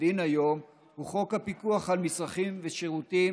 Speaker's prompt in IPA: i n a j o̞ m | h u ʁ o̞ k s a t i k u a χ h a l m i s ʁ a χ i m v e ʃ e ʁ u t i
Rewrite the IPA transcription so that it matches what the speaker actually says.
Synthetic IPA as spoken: i n a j o̞ m | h u χ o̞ k h a p i k u a χ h a l m i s ʁ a χ i m v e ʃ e ʁ u t i